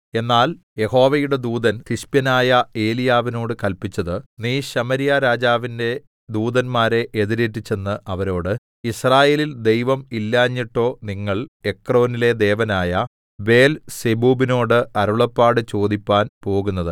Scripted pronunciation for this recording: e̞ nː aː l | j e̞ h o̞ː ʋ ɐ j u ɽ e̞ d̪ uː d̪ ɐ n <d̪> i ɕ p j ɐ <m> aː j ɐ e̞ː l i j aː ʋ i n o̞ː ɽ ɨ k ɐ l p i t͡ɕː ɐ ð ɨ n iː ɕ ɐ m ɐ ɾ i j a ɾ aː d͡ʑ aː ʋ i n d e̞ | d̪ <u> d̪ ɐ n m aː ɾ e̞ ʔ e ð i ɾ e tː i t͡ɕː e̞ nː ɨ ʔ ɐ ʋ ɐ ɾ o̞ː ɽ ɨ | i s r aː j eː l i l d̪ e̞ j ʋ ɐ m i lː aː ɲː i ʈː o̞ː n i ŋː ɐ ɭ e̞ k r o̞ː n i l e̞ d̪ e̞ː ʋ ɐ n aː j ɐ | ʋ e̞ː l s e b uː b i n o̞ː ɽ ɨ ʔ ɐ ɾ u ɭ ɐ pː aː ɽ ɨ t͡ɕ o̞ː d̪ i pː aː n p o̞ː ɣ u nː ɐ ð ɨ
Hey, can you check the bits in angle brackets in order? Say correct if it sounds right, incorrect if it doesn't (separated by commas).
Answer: incorrect, incorrect, incorrect